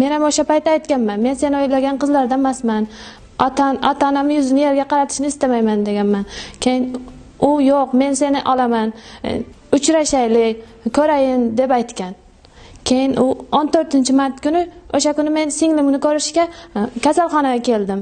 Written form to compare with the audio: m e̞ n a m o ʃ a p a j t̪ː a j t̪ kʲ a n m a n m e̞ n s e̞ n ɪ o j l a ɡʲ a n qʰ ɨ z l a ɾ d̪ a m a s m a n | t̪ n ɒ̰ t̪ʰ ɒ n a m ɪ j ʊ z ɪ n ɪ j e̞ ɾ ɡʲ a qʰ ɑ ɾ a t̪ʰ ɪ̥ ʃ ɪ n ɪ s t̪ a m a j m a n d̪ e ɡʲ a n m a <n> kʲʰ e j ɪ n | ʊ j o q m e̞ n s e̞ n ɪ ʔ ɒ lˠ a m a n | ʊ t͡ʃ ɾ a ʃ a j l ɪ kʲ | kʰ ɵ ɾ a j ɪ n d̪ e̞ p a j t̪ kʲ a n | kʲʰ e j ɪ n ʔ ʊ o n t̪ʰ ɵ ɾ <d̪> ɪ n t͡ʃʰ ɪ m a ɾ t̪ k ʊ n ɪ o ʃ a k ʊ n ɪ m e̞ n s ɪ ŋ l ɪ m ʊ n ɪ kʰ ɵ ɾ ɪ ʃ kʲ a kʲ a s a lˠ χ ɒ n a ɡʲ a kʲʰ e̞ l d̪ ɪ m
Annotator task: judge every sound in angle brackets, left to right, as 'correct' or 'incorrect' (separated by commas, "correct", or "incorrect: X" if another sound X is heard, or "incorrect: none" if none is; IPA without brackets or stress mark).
correct, incorrect: t̪